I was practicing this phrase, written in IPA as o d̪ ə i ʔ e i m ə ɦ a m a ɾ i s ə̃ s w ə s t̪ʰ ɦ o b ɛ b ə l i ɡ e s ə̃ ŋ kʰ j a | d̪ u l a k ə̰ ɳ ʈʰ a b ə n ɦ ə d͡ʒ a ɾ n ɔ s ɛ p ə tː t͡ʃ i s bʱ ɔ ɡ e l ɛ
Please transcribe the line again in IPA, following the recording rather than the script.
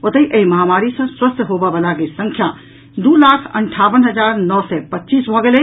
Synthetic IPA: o t̪ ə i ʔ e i m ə ɦ a m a ɾ i s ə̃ s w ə s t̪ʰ ɦ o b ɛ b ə l a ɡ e s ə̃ ŋ kʰ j a | d̪ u l a kʰ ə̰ ɳ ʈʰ a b ə n ɦ ə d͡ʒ a ɾ n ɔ s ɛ p ə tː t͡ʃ i s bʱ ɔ ɡ e l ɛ